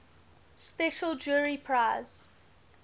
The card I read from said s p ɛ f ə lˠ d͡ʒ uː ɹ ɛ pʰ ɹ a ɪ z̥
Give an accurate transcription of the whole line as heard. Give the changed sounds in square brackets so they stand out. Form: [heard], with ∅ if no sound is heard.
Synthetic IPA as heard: s p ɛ [ʃ] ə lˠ d͡ʒ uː ɹ [i] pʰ ɹ a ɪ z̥